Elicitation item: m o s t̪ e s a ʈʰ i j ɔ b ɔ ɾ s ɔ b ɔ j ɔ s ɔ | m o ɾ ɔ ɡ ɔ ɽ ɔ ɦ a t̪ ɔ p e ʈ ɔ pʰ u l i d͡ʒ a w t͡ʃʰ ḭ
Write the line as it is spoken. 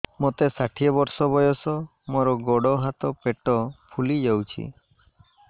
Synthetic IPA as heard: m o t̪ e s a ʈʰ i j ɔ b ɔ ɾ s ɔ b ɔ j ɔ s ɔ | m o ɾ ɔ ɡ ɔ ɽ ɔ ɦ a t̪ ɔ p e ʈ ɔ pʰ u l i d͡ʒ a w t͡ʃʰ ḭ